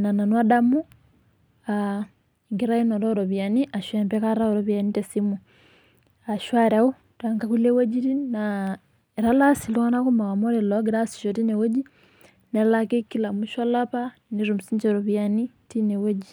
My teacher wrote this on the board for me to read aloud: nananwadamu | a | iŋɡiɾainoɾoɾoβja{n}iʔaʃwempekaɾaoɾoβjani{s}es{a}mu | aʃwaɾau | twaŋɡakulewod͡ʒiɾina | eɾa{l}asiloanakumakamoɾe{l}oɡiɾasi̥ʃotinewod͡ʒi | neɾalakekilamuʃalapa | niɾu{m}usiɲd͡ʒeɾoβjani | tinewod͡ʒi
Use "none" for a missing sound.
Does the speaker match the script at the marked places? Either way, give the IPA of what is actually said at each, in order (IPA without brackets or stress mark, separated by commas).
n, t, i, l, l, m